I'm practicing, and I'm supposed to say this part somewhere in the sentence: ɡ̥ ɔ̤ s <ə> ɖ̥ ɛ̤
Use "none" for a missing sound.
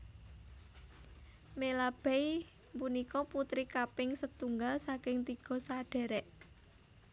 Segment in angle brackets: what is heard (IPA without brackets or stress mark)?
a